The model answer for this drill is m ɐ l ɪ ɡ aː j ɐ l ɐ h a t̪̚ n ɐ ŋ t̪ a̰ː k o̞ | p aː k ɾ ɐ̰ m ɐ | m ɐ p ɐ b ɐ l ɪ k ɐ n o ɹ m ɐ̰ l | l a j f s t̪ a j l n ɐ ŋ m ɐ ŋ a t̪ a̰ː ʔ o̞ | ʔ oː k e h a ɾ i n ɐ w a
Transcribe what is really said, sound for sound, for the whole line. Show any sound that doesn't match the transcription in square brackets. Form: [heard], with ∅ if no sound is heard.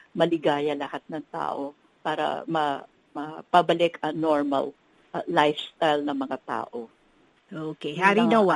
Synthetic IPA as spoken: m ɐ l ɪ ɡ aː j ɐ l ɐ h a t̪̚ n ɐ ŋ t̪ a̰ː [ʔ] o̞ | p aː [∅] ɾ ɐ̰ m ɐ | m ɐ p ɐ b ɐ l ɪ k ɐ n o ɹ m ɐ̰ l | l a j f s t̪ a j l n ɐ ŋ m ɐ ŋ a t̪ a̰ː ʔ o̞ | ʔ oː k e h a ɾ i n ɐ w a